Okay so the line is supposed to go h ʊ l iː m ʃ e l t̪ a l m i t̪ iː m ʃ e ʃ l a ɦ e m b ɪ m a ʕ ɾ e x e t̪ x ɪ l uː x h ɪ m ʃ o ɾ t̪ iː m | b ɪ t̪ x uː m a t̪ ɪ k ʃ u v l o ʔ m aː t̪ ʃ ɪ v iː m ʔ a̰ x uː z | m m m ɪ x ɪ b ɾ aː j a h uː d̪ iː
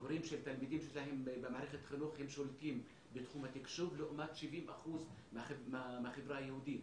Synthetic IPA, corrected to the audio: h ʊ ɾ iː m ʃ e l t̪ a l m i d̪ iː m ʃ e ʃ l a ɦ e m b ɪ m a ʕ ɾ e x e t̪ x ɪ l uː x h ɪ m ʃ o l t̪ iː m | b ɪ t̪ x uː m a t̪ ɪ k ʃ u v l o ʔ m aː t̪ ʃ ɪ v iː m ʔ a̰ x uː z | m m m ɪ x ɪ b ɾ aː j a h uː d̪ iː